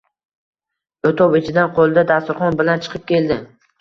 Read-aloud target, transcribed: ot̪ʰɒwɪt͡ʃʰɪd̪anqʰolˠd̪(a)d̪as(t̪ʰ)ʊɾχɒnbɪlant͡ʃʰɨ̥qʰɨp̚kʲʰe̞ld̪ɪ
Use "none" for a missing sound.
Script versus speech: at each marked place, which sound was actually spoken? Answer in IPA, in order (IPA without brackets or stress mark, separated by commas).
a, t̪